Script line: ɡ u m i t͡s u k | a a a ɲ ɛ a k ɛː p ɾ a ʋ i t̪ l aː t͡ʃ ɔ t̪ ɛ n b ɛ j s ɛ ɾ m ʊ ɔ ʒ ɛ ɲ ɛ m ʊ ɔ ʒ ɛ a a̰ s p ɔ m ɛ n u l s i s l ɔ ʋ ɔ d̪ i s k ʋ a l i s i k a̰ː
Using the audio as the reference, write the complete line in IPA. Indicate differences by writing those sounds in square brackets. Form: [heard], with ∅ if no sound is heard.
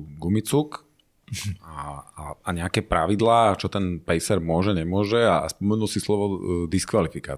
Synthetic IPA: ɡ u m i t͡s u k | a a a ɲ ɛ a k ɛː p ɾ a ʋ i [d̪] l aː t͡ʃ ɔ t̪ ɛ n [p] ɛ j s ɛ ɾ m ʊ ɔ ʒ ɛ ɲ ɛ m ʊ ɔ ʒ ɛ a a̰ s p ɔ m ɛ n u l s i s l ɔ ʋ ɔ d̪ i s k ʋ a l i [f] i k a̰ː